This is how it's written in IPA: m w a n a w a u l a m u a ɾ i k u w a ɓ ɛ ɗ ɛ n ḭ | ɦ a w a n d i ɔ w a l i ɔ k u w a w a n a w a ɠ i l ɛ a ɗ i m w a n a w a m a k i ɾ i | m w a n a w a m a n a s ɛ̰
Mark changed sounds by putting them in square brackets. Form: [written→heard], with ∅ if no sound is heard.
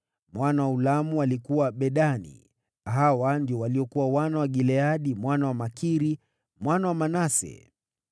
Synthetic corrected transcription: m w a n a w a u l a m u a [ɾ→l] i k u w a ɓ ɛ ɗ [ɛ→a] n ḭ | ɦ a w a n d i ɔ w a l i ɔ k u w a w a n a w a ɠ i l ɛ a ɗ i m w a n a w a m a k i ɾ i | m w a n a w a m a n a s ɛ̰

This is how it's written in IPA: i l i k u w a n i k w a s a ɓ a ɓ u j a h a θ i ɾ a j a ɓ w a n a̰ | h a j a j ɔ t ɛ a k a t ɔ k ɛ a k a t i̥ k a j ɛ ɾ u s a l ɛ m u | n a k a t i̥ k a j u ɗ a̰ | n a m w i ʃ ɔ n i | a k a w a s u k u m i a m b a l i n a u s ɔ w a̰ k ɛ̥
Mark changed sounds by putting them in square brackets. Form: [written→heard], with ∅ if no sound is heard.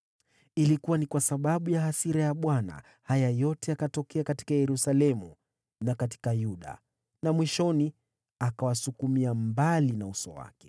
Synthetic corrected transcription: i l i k u w a n i k w a s a ɓ a ɓ u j a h a [θ→s] i ɾ a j a ɓ w a n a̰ | h a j a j ɔ t ɛ a k a t ɔ k ɛ a k a t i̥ k a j ɛ ɾ u s a l ɛ m u | n a k a t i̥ k a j u ɗ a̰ | n a m w i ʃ ɔ n i | a k a w a s u k u m i a m b a l i n a u s ɔ w a̰ k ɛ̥

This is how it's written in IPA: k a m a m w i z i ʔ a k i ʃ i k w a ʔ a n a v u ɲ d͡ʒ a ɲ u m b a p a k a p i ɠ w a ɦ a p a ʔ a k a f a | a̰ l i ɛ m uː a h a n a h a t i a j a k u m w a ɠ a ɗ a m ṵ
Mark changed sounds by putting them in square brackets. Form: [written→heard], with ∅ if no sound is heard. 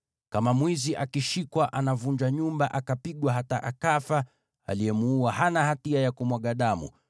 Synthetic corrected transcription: k a m a m w i z i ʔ a k i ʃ i k w a ʔ a n a v u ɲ d͡ʒ a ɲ u m b a [p→ʔ] a k a p i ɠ w a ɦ a [p→t] a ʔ a k a f a | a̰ l i ɛ m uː a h a n a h a t i a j a k u m w a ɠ a ɗ a m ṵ

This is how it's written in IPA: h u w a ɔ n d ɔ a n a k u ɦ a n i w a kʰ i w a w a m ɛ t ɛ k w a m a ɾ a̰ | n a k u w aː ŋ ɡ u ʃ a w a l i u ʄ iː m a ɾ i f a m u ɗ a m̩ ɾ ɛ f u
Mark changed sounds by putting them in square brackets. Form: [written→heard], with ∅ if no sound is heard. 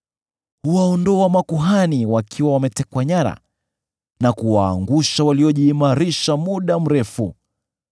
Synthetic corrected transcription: h u w a ɔ n d ɔ a [n→m] a k u ɦ a n i w a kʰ i w a w a m ɛ t ɛ k w a [m→ɲ] a ɾ a̰ | n a k u w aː ŋ ɡ u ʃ a w a l i [u→ɔ] ʄ iː m a ɾ i [f→ʃ] a m u ɗ a m̩ ɾ ɛ f u

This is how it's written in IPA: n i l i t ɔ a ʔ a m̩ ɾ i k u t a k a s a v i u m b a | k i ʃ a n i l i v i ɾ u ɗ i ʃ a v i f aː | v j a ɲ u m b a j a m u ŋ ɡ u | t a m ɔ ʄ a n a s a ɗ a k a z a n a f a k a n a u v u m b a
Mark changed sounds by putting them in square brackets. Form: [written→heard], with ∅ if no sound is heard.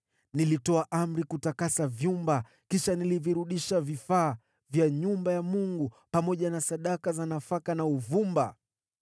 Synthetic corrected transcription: n i l i t ɔ a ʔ a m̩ ɾ i k u t a k a s a v [i→j] u m b a | k i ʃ a n i l i v i ɾ u ɗ i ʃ a v i f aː | v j a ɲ u m b a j a m u ŋ ɡ u | [t→p] a m ɔ ʄ a n a s a ɗ a k a z a n a f a k a n a u v u m b a

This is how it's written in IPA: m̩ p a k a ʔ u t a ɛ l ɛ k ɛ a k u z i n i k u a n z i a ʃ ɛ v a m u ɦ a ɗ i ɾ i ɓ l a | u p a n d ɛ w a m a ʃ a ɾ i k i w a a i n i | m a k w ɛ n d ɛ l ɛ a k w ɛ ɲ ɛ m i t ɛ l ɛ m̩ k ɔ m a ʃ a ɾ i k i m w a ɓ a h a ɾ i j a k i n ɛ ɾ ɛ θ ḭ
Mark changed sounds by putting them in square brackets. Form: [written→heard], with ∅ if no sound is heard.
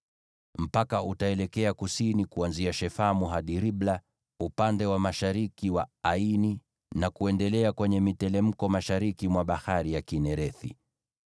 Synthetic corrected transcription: m̩ p a k a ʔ u t a ɛ l ɛ k ɛ a k u [z→s] i n i k u a n z i a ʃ ɛ [v→f] a m u ɦ a ɗ i ɾ i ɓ l a | u p a n d ɛ w a m a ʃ a ɾ i k i w a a i n i | [m→n] a k [w→u] ɛ n d ɛ l ɛ a k w ɛ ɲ ɛ m i t ɛ l ɛ m̩ k ɔ m a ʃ a ɾ i k i m w a ɓ a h a ɾ i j a k i n ɛ ɾ ɛ θ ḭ

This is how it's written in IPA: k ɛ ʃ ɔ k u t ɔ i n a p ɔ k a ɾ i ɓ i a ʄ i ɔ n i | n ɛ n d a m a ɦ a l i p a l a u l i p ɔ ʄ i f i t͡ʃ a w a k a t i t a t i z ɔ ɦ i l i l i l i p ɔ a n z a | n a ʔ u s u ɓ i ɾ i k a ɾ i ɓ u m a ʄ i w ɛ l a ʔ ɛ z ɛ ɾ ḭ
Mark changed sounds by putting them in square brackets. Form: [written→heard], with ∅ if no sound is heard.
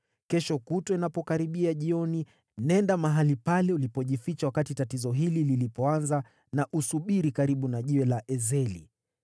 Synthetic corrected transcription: k ɛ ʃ ɔ k u t ɔ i n a p ɔ k a ɾ i ɓ i a ʄ i ɔ n i | n ɛ n d a m a ɦ a l i p a l [a→ɛ] u l i p ɔ ʄ i f i t͡ʃ a w a k a t i t a t i z ɔ ɦ i l i l i l i p ɔ a n z a | n a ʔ u s u ɓ i ɾ i k a ɾ i ɓ u [m→n] a ʄ i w ɛ l a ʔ ɛ z ɛ [ɾ→l] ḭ

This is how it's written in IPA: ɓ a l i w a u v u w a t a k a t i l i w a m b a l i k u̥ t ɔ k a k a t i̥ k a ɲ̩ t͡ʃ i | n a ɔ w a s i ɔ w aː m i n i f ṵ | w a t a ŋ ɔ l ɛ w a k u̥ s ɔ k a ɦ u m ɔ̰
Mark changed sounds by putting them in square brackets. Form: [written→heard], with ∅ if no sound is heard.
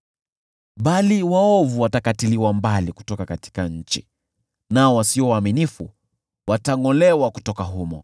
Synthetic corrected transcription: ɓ a l i w a [u→ɔ] v u w a t a k a t i l i w a m b a l i k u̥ t ɔ k a k a t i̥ k a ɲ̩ t͡ʃ i | n a ɔ w a s i ɔ w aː m i n i f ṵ | w a t a ŋ ɔ l ɛ w a k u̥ [s→t] ɔ k a ɦ u m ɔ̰

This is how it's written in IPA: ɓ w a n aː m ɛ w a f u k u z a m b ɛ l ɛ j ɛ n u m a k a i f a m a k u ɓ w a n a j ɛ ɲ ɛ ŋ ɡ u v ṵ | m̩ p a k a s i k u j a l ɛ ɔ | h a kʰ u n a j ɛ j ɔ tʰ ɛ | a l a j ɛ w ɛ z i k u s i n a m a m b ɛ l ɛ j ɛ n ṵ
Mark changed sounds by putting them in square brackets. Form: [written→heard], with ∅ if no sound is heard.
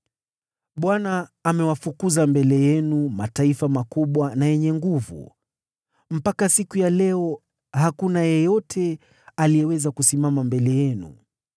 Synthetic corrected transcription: ɓ w a n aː m ɛ w a f u k u z a m b ɛ l ɛ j ɛ n u m a [k→t] a i f a m a k u ɓ w a n a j ɛ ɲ ɛ ŋ ɡ u v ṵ | m̩ p a k a s i k u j a l ɛ ɔ | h a [kʰ→k] u n a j ɛ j ɔ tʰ ɛ | a l [a→i] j ɛ w ɛ z [i→a] k u s i [n→m] a m a m b ɛ l ɛ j ɛ n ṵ

